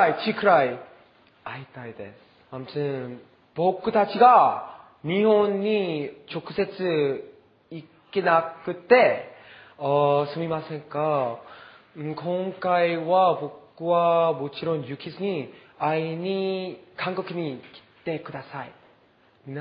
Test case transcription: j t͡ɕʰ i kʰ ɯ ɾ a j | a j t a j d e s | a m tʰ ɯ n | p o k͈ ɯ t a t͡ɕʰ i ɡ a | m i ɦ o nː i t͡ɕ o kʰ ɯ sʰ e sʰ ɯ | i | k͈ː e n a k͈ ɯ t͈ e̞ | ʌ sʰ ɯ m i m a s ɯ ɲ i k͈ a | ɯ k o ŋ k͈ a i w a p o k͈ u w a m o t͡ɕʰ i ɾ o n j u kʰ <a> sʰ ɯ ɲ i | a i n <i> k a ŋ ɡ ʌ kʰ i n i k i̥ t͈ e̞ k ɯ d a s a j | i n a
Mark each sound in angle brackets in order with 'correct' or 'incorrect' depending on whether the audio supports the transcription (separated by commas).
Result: incorrect, correct